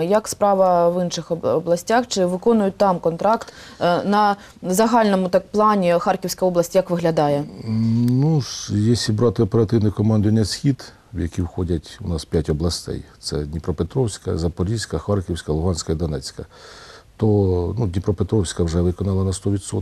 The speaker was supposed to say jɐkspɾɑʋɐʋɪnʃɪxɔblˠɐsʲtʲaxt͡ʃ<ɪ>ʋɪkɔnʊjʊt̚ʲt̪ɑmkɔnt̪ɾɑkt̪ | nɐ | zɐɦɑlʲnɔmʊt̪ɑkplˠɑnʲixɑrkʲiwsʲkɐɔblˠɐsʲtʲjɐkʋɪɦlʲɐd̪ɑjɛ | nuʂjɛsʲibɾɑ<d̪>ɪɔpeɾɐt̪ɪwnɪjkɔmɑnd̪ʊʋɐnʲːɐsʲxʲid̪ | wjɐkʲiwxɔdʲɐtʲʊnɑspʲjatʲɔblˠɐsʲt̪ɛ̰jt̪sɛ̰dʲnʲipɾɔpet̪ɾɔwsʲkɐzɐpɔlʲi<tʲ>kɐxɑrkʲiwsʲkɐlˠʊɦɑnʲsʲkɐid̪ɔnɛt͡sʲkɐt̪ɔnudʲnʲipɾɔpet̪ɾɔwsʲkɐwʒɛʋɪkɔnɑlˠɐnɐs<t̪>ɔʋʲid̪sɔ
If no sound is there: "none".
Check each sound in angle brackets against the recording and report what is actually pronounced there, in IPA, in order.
ɪ, t̪, sʲ, t̪

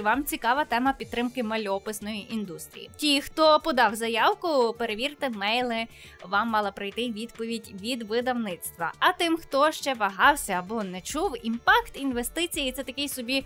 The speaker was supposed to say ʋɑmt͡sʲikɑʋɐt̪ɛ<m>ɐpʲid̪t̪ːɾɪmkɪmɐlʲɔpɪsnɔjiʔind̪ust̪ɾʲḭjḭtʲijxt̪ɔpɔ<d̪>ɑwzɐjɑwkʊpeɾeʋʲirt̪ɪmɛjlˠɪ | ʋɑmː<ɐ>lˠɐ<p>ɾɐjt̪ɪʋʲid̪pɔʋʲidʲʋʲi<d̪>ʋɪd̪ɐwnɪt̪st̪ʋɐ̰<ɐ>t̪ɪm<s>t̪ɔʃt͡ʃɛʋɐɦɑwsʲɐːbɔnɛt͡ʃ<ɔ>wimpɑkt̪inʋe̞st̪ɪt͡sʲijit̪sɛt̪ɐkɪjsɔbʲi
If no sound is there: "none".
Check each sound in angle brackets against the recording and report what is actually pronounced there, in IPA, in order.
m, d̪, ɑ, p, d̪, ɐ, x, u

